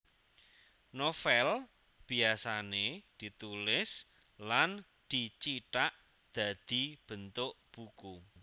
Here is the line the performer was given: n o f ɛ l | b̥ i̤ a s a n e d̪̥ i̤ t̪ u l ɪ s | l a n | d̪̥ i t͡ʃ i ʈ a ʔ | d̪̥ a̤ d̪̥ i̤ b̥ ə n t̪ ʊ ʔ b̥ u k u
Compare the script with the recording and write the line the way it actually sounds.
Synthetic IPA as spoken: n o f ɛ l | b̥ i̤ a s a n e d̪̥ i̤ t̪ u l ɪ s | l a n | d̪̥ i t͡ʃ i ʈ a ʔ | d̪̥ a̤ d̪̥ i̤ b̥ ə n t̪ ʊ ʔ b̥ u k u